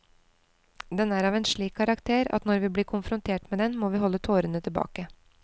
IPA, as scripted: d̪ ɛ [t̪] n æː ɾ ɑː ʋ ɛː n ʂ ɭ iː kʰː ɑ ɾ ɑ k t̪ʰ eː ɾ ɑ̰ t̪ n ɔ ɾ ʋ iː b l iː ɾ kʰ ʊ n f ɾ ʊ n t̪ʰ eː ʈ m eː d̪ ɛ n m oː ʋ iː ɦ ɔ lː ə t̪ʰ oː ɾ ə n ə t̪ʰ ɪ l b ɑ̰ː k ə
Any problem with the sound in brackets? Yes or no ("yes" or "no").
yes